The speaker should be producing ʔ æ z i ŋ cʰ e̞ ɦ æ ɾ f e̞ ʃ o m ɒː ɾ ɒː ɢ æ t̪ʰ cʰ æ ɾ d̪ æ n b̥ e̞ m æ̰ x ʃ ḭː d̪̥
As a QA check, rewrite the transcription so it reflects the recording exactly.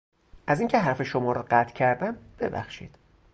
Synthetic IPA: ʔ æ z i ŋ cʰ e̞ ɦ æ ɾ f e̞ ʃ o m ɒː ɾ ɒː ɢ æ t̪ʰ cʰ æ ɾ d̪ æ m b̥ e̞ b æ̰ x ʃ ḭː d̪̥